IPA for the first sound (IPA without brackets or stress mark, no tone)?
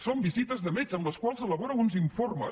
s